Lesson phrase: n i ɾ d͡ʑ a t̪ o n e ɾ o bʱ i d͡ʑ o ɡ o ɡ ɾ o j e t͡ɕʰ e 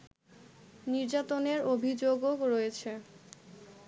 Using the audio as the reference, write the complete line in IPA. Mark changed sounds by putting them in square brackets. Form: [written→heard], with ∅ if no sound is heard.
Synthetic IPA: n i ɾ d͡ʑ a t̪ o n e ɾ o bʱ i d͡ʑ o ɡ o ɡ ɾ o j e t͡ɕʰ e